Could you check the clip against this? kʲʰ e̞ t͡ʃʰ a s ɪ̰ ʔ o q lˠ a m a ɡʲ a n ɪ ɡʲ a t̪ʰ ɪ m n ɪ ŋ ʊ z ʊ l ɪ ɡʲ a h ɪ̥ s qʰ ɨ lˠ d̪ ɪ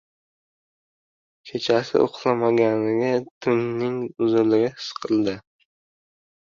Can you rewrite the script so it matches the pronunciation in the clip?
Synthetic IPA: kʲʰ e̞ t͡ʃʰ a s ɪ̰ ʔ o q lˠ a m a ɡʲ a n ɪ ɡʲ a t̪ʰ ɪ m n ɪ ŋ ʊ z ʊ l ɪ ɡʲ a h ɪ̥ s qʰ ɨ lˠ d̪ ɪ

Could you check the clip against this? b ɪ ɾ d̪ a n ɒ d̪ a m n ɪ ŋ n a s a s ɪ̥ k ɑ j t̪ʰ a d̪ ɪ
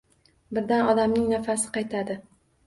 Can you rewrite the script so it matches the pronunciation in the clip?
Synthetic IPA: b ɪ ɾ d̪ a n ɒ d̪ a m n ɪ ŋ n a f a s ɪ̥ q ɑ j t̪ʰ a d̪ ɪ

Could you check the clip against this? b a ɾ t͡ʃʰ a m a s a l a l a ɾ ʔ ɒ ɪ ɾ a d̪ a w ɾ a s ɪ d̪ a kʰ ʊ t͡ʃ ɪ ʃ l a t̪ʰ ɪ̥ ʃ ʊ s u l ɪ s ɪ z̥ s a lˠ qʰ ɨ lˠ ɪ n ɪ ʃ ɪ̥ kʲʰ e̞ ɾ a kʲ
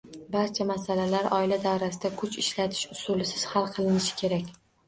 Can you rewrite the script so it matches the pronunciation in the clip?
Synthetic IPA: b a ɾ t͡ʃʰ a m a s a l a l a ɾ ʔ ɒ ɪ l a d̪ a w ɾ a s ɪ d̪ a kʰ ʊ t͡ʃ ɪ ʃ l a t̪ʰ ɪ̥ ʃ ʊ s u l ɪ s ɪ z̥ h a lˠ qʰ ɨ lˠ ɪ n ɪ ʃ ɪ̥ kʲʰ e̞ ɾ a kʲ

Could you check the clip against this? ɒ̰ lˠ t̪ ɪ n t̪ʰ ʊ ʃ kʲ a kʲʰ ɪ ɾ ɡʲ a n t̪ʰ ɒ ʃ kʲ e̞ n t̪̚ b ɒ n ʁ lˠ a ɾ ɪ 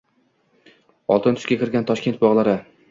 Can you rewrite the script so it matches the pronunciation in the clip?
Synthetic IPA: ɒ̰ lˠ t̪ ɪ n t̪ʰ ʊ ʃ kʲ a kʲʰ ɪ ɾ ɡʲ a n t̪ʰ ɒ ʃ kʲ e̞ n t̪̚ b ɒ ʁ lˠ a ɾ ɪ

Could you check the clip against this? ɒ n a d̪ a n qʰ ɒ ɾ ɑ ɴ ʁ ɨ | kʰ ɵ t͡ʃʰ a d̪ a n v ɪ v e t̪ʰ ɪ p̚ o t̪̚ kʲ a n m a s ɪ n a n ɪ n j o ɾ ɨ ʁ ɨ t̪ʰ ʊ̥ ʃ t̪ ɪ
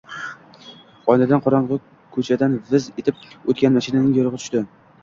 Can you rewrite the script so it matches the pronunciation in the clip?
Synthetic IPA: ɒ n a d̪ a n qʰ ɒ ɾ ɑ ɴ ʁ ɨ | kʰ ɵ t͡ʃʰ a d̪ a n v ɪ z e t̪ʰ ɪ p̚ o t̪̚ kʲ a n m a ʃ ɪ n a n ɪ ŋ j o ɾ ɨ ʁ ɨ t̪ʰ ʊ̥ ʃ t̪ ɪ

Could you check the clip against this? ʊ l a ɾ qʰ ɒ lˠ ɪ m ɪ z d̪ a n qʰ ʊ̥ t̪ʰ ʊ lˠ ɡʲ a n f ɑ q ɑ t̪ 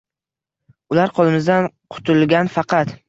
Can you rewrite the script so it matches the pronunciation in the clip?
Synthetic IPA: ʊ l a ɾ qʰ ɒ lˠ ɪ m ɪ z d̪ a n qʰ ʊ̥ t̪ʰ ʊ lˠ ɡʲ a n f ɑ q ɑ t̪

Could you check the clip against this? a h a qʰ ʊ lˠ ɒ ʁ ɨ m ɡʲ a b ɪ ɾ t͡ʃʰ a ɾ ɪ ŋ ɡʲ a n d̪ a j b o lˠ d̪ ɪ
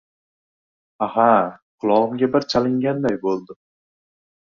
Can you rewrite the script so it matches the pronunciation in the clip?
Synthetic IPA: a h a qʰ ʊ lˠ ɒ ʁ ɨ m ɡʲ a b ɪ ɾ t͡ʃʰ a l ɪ ŋ ɡʲ a n d̪ a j b o lˠ d̪ ɪ

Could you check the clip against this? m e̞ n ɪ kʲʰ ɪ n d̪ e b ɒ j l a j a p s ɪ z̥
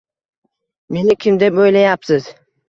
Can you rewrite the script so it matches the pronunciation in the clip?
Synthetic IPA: m e̞ n ɪ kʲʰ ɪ m d̪ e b o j l a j a p s ɪ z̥

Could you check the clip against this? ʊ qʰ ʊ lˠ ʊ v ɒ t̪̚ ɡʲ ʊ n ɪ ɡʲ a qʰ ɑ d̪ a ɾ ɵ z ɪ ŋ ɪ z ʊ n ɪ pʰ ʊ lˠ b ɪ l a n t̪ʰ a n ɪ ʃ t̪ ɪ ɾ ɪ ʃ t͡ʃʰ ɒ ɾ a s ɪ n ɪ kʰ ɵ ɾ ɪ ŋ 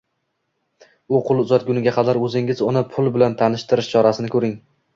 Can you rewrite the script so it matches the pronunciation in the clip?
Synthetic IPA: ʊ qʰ ʊ lˠ ʊ z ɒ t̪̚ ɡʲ ʊ n ɪ ɡʲ a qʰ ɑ d̪ a ɾ ɵ z ɪ ŋ ɪ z ʊ n ɪ pʰ ʊ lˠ b ɪ l a n t̪ʰ a n ɪ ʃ t̪ ɪ ɾ ɪ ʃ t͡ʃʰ ɒ ɾ a s ɪ n ɪ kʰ ɵ ɾ ɪ ŋ

